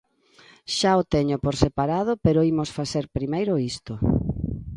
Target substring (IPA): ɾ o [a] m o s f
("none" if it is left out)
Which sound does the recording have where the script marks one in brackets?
i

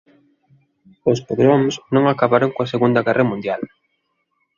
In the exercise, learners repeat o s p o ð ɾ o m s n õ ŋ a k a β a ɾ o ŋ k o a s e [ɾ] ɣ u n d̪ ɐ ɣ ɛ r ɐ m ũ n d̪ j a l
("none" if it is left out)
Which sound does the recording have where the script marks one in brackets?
none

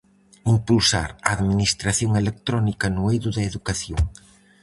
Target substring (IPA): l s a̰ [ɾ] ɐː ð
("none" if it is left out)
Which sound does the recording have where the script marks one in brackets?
ɾ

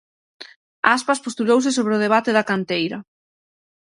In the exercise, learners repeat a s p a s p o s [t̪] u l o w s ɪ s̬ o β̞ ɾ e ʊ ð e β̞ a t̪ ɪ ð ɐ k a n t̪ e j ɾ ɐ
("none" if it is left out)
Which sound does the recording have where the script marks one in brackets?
t̪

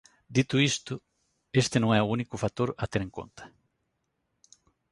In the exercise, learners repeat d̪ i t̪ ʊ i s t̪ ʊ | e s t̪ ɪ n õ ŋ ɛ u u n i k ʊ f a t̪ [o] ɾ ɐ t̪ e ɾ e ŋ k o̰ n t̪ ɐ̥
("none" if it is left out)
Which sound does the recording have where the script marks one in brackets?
o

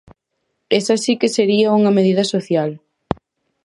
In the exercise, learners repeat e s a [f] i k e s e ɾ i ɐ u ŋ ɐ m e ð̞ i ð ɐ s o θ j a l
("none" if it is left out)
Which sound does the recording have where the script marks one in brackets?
s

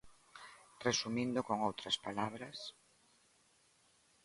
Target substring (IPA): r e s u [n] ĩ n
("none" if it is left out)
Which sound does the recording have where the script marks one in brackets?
m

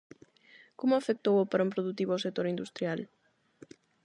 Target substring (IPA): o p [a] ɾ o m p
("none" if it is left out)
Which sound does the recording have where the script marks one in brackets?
a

